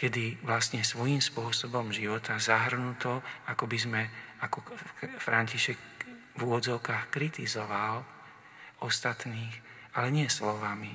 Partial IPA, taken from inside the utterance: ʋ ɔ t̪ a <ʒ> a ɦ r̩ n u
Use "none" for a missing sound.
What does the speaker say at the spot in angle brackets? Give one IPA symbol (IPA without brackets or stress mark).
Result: z